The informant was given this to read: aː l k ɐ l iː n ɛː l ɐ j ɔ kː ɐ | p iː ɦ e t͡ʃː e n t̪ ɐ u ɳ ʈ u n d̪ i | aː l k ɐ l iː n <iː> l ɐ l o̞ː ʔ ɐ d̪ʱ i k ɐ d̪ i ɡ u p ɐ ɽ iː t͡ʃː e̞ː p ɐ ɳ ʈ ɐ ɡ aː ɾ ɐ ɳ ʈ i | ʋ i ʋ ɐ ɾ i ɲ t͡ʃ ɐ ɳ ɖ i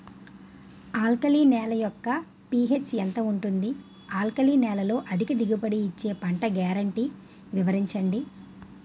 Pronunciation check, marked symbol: incorrect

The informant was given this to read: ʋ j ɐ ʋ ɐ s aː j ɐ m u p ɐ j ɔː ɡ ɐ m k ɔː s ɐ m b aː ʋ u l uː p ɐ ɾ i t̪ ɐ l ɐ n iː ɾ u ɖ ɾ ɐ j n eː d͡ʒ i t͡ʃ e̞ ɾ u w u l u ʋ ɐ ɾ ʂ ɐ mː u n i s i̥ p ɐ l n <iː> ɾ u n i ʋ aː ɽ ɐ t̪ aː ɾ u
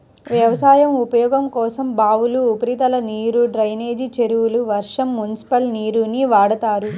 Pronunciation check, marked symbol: correct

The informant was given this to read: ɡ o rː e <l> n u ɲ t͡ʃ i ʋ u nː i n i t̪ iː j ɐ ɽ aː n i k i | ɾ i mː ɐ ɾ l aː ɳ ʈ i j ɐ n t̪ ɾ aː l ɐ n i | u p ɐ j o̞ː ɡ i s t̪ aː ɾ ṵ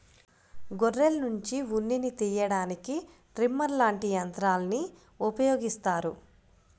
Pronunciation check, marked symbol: correct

